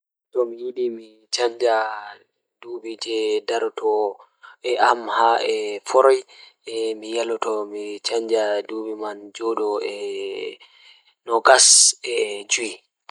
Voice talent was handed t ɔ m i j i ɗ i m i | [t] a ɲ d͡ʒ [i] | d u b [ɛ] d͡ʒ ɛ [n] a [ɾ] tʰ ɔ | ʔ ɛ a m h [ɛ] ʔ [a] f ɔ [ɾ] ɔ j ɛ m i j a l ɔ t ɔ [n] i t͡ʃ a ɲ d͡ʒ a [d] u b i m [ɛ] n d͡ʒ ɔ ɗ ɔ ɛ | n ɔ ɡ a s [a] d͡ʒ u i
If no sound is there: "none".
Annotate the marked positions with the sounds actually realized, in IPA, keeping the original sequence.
t͡ʃ, a, i, d, ɾ, a, ɛ, ɾ, m, d, a, ɛ

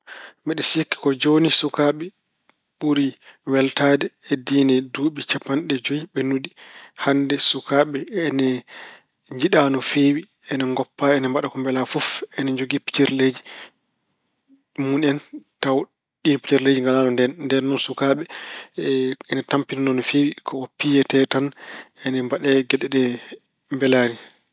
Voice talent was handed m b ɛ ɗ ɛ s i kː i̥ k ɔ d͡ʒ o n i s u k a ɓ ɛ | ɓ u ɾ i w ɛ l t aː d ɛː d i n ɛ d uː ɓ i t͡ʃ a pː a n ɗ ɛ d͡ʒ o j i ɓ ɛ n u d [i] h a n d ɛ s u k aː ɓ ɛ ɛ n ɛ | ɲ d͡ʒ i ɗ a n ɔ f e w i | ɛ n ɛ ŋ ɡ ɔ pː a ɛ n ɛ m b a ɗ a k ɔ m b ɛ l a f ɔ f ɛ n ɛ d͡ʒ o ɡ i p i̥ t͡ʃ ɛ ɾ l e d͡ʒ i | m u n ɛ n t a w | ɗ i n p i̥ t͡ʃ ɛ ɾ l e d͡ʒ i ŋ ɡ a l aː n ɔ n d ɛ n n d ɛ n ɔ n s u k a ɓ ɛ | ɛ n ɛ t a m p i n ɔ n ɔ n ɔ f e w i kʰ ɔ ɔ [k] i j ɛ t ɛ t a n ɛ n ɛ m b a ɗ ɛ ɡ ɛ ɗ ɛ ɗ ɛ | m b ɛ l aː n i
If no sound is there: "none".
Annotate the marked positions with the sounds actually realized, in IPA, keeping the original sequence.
i, p

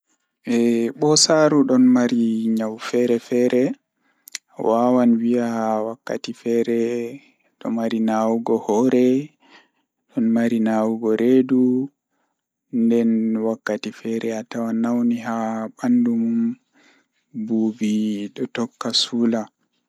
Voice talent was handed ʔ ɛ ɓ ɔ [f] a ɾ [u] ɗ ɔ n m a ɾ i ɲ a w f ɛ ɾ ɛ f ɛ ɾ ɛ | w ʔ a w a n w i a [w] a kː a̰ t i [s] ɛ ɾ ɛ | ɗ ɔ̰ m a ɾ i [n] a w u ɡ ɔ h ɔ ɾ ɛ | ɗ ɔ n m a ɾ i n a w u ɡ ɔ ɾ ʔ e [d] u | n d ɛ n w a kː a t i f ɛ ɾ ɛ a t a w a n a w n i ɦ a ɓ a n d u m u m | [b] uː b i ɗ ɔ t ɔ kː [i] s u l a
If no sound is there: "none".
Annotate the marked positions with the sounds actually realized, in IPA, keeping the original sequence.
s, u, w, f, n, d, b, a

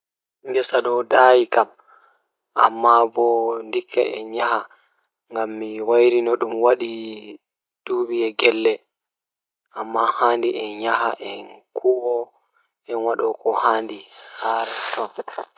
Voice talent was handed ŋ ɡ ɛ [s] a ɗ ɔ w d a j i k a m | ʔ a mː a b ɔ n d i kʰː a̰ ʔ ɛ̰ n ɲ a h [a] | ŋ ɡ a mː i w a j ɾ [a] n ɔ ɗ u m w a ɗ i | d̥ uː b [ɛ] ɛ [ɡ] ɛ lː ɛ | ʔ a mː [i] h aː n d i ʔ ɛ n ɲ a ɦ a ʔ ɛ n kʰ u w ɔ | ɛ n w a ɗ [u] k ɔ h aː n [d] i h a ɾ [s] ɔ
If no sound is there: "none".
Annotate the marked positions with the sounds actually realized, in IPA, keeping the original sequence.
s, a, i, i, ɡ, a, ɔ, d, t

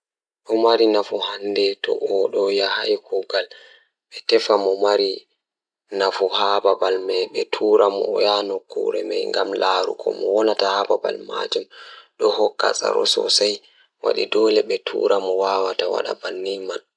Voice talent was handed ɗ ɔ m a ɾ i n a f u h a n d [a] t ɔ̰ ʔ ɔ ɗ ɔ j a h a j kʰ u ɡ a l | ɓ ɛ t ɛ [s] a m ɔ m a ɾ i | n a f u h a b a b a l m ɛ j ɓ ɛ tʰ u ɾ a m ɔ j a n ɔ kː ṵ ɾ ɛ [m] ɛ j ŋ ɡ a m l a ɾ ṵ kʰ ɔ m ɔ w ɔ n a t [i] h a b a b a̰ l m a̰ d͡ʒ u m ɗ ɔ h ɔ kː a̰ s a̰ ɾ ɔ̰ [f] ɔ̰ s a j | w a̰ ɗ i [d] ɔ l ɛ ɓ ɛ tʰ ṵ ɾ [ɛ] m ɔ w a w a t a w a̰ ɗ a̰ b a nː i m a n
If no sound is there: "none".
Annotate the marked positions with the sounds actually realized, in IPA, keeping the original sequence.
ɛ, f, m, a, s, d, a

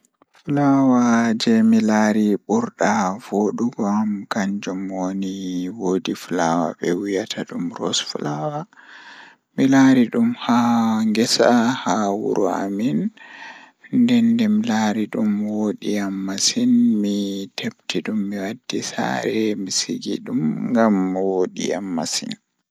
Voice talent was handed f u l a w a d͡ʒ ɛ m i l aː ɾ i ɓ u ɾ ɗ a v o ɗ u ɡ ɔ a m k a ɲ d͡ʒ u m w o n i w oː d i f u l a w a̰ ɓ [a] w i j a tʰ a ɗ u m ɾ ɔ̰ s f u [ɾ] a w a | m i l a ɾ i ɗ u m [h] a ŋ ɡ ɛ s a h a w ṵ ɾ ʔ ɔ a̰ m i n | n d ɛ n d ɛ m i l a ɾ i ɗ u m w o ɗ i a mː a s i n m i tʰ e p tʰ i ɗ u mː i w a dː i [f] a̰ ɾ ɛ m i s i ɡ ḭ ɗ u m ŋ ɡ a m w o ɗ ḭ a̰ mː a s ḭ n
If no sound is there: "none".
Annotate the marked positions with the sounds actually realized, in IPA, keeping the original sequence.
ɛ, l, h, s

